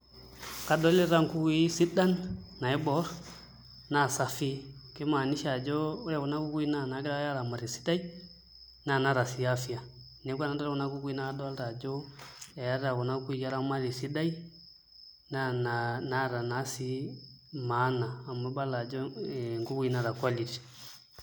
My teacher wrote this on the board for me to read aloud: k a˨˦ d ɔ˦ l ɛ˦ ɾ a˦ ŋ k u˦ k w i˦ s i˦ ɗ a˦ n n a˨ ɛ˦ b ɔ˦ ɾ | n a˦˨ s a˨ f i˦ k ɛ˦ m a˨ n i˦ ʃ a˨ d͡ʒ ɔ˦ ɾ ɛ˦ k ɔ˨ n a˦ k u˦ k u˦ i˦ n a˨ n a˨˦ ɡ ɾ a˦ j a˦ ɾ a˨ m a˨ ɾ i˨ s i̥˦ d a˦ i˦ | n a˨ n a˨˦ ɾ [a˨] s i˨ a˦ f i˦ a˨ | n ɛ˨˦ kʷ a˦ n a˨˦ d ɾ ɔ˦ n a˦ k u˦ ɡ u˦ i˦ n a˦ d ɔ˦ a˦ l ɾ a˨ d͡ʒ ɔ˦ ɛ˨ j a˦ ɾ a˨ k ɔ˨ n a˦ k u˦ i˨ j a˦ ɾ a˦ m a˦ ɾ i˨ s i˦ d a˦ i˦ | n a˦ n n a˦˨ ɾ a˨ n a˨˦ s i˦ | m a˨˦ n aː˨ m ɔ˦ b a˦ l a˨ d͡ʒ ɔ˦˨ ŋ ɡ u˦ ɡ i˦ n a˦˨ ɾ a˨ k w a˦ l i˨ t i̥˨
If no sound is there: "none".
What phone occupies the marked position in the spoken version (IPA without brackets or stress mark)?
a˨